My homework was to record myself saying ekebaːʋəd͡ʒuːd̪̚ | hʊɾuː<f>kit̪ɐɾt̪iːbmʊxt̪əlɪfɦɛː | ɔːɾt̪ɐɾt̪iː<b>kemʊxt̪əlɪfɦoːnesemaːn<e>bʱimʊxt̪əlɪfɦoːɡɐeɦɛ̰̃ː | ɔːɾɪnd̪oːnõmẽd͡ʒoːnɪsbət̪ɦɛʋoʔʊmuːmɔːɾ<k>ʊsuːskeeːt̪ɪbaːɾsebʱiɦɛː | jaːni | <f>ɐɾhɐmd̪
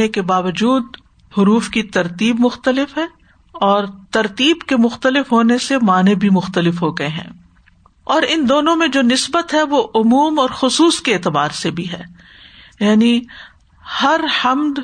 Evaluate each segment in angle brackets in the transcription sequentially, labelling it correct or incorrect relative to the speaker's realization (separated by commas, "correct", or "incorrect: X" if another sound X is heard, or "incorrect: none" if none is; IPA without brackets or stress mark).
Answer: correct, correct, correct, incorrect: x, incorrect: h